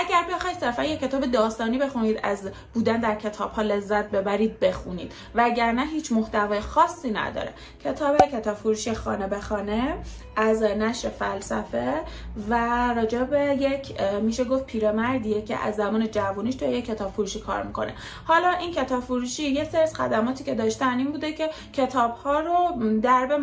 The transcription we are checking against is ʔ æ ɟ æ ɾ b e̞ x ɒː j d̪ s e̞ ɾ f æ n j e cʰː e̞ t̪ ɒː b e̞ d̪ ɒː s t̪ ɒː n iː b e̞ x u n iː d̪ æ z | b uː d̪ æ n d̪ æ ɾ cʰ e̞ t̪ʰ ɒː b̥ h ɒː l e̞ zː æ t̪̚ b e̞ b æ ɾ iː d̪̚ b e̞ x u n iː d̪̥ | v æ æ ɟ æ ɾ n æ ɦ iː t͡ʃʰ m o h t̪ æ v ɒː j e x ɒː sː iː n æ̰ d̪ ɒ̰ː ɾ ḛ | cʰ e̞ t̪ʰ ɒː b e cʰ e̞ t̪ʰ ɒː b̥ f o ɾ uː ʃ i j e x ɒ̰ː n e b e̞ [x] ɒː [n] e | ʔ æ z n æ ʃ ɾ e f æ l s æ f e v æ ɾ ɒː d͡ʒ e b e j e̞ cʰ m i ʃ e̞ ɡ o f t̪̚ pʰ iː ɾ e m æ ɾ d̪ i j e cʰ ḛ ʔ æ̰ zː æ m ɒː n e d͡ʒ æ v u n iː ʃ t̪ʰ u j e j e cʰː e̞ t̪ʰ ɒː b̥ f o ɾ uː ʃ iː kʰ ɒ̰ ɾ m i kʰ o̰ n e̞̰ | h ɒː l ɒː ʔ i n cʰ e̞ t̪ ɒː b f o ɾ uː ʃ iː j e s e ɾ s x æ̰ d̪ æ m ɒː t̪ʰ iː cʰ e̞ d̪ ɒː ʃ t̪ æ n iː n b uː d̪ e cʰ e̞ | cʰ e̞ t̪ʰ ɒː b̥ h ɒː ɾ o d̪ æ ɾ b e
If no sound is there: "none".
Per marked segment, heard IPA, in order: x, n

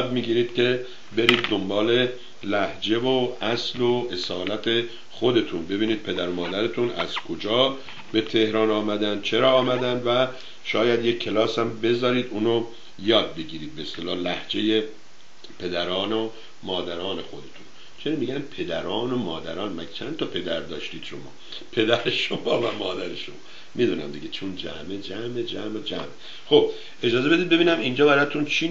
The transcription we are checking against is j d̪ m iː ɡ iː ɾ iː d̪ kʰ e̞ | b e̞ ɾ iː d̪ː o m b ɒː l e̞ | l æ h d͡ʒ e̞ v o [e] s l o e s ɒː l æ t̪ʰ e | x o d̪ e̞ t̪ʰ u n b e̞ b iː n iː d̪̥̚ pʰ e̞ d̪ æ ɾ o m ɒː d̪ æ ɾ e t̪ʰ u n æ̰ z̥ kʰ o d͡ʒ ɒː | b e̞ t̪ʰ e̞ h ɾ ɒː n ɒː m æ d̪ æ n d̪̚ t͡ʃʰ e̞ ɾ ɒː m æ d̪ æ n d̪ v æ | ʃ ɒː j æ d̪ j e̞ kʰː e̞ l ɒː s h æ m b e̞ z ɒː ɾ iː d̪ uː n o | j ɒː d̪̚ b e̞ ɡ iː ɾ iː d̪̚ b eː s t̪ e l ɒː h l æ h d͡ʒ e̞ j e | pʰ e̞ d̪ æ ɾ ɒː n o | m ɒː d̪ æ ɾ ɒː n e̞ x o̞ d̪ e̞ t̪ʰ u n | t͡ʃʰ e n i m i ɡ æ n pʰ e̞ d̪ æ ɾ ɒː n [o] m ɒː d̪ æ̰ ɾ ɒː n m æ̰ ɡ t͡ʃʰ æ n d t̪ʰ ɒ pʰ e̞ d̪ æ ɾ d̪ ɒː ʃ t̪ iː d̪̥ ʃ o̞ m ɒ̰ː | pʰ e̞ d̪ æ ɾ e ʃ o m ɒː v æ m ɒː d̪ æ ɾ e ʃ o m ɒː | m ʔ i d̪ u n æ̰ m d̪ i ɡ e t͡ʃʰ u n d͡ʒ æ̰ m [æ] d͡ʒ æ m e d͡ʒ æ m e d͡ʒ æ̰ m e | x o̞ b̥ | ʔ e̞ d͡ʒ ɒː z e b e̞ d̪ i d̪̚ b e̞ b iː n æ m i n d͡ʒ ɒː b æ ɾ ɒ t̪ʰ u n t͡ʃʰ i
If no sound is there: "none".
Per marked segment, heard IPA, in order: æ, o, e

